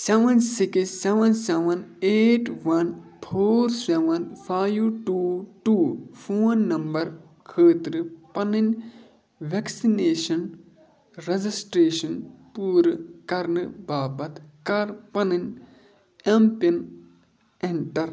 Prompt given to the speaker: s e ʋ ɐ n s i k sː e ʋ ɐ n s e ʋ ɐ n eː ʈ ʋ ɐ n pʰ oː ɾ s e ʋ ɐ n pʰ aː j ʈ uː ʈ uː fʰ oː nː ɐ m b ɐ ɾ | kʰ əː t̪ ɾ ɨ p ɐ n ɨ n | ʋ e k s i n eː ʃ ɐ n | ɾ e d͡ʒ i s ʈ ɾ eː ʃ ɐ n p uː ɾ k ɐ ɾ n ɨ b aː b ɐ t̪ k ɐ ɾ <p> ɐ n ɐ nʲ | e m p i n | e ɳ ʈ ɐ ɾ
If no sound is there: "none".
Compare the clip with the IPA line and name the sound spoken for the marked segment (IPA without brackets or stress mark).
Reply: p